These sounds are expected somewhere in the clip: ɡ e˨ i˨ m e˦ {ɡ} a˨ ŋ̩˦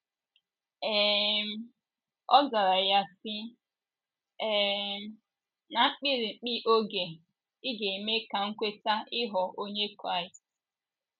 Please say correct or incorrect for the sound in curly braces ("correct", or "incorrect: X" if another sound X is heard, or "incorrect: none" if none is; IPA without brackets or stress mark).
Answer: incorrect: k